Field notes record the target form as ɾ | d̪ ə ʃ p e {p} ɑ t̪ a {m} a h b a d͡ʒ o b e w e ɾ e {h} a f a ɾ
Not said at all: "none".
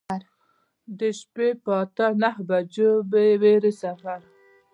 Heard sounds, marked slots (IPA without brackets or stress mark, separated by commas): p, n, s